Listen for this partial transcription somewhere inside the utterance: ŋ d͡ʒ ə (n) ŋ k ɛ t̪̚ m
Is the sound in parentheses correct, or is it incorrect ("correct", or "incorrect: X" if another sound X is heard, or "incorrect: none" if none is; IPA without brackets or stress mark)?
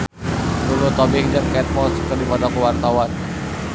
incorrect: none